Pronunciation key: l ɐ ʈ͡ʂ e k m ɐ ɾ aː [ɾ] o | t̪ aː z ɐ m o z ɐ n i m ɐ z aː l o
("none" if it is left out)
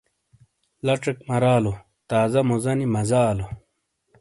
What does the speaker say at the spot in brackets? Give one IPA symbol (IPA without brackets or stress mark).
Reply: l